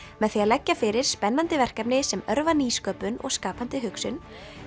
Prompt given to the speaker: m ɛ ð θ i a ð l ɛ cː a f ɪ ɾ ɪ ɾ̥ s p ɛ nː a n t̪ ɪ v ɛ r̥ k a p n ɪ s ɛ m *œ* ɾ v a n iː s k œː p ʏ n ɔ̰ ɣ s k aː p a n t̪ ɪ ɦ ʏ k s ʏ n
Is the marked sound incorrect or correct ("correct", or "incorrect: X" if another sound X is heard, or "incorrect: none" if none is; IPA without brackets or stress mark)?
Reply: correct